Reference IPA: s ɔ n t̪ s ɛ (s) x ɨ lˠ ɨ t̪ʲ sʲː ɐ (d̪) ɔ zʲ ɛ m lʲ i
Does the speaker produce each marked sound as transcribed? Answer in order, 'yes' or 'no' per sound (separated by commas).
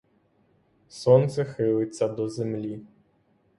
no, yes